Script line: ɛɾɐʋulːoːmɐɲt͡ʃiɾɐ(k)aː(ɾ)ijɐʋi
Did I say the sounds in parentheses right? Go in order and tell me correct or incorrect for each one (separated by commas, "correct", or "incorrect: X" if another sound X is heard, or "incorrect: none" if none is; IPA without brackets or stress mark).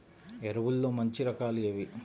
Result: correct, incorrect: l